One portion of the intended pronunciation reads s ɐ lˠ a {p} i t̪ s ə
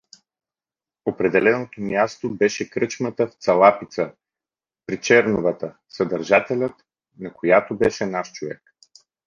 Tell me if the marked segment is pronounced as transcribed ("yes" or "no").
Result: yes